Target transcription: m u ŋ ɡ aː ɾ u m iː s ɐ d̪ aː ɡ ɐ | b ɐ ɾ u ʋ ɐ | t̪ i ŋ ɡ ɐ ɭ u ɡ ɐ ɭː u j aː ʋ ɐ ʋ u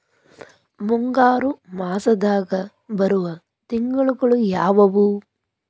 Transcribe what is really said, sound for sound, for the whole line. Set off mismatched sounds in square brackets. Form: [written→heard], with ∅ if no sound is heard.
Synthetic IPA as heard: m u ŋ ɡ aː ɾ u m [iː→aː] s ɐ d̪ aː ɡ ɐ | b ɐ ɾ u ʋ ɐ | t̪ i ŋ ɡ ɐ ɭ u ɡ ɐ [ɭː→ɭ] u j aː ʋ ɐ ʋ u